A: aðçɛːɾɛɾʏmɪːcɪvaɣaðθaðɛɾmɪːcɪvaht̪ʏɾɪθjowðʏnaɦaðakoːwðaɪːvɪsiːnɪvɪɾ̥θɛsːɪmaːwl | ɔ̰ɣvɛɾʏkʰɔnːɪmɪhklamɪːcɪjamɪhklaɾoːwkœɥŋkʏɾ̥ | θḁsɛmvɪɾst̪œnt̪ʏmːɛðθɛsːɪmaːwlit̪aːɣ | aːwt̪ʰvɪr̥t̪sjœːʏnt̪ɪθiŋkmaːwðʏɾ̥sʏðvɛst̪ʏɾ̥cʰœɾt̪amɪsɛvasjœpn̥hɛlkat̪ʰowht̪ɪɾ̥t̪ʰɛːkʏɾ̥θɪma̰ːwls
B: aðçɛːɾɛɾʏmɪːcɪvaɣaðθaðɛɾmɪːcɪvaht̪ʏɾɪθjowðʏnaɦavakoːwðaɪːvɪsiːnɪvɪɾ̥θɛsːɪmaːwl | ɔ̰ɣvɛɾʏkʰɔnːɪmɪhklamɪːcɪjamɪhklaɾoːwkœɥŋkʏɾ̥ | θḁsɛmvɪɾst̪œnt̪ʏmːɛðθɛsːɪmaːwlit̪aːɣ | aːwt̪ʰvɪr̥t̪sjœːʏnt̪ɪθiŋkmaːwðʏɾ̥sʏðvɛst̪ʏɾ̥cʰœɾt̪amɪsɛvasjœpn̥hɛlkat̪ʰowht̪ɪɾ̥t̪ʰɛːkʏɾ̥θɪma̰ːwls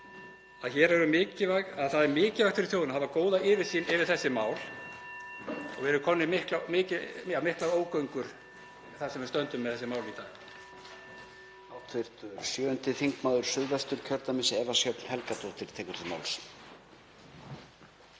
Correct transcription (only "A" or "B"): B